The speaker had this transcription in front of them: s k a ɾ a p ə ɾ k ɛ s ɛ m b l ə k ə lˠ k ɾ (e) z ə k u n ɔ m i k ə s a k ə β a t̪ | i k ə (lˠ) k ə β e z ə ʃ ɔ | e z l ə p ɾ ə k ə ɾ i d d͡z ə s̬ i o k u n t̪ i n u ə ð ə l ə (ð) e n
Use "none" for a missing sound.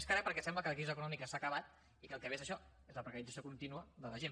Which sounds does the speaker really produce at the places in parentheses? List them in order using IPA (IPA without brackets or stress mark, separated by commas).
i, lˠ, ʒ